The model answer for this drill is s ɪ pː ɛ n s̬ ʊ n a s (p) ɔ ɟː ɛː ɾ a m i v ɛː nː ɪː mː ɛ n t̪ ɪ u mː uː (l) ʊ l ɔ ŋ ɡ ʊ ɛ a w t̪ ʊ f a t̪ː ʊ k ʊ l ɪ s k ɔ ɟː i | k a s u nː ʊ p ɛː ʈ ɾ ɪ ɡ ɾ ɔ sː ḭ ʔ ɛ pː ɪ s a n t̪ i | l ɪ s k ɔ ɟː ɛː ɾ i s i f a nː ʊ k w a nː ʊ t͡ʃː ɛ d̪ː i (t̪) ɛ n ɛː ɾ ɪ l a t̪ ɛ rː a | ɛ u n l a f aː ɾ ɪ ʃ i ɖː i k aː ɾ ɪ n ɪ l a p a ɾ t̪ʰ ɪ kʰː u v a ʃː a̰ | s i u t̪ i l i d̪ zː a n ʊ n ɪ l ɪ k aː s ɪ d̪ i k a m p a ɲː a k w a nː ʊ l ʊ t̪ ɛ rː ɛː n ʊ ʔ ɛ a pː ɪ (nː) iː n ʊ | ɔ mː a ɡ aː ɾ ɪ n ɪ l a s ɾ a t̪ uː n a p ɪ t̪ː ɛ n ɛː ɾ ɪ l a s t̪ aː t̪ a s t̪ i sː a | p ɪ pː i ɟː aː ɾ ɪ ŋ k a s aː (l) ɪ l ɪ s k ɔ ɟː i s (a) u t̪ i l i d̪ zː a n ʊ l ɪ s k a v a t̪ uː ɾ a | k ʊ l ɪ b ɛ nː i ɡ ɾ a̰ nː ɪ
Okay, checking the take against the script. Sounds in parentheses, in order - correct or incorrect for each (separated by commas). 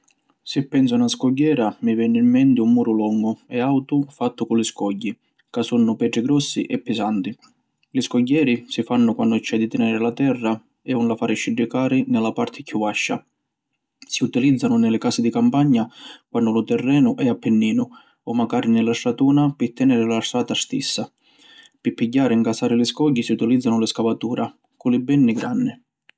incorrect, incorrect, correct, correct, incorrect, incorrect